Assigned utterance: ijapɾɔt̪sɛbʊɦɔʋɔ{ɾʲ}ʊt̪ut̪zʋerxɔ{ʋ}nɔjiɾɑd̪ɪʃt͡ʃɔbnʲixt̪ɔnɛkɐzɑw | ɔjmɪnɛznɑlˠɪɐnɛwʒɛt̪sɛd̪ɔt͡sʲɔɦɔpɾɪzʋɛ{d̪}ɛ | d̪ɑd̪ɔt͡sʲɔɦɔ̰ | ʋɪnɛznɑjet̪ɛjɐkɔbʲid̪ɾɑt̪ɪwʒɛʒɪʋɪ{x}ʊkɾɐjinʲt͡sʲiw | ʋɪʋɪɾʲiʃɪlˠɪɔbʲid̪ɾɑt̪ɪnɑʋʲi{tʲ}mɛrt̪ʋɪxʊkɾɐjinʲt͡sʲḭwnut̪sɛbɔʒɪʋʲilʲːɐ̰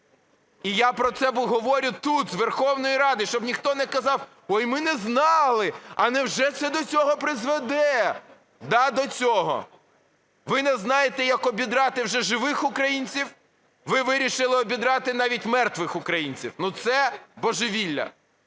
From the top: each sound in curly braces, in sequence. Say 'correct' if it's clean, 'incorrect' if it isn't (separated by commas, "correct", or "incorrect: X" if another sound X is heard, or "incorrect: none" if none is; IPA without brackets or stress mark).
correct, incorrect: w, correct, correct, correct